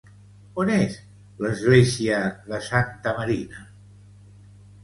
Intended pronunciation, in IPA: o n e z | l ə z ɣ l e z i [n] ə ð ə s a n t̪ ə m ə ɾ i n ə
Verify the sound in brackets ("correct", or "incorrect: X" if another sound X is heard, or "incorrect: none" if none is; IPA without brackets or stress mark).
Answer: incorrect: none